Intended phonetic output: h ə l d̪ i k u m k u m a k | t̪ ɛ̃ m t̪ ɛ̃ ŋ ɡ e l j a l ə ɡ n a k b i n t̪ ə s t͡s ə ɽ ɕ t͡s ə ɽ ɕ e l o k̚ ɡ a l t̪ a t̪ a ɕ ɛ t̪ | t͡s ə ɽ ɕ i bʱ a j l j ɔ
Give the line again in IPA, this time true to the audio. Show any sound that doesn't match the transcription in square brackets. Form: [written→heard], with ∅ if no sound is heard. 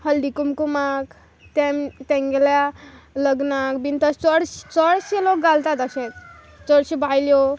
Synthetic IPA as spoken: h ə l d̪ i k u m k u m a k | t̪ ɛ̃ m t̪ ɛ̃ ŋ ɡ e l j a l ə ɡ n a k b i n t̪ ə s t͡s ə ɽ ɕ t͡s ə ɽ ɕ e l o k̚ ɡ a l t̪ a t̪ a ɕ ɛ t̪ | t͡s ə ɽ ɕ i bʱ a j l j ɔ